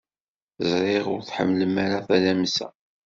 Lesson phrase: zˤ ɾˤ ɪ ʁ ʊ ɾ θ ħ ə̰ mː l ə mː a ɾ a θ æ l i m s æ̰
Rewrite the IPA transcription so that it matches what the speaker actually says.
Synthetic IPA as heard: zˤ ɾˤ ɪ ʁ ʊ ɾ θ ħ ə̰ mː l ə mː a ɾ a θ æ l æ m s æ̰